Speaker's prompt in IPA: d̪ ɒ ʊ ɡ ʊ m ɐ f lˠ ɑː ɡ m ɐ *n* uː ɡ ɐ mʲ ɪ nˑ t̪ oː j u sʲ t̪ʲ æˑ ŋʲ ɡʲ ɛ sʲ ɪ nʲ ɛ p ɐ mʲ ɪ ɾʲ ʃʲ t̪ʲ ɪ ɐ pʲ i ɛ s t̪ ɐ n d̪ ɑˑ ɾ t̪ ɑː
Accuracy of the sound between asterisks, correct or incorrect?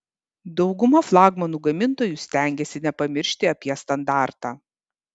correct